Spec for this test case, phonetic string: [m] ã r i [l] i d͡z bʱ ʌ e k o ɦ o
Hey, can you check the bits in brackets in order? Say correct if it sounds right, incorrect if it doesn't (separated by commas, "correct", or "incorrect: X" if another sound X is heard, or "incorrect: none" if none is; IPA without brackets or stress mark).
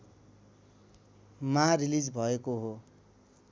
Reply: correct, correct